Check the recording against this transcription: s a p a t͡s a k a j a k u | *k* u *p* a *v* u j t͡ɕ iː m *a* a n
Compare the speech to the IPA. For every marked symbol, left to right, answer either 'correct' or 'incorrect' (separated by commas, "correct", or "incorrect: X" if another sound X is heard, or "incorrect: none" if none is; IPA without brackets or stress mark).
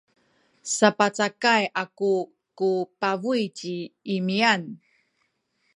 correct, correct, correct, incorrect: i